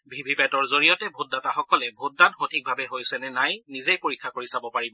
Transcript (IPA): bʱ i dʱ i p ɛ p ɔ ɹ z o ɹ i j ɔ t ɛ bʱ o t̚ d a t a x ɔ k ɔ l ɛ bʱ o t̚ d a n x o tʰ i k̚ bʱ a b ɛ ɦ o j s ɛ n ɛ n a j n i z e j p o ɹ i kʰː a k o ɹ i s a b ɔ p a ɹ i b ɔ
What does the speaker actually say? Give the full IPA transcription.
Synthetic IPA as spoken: bʱ i bʱ i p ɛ t ɔ ɹ z o ɹ i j ɔ t ɛ bʱ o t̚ d a t a x ɔ k ɔ l ɛ bʱ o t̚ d a n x o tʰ i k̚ bʱ a b ɛ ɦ o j s ɛ n ɛ n a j n i z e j p o ɹ i kʰː a k o ɹ i s a b ɔ p a ɹ i b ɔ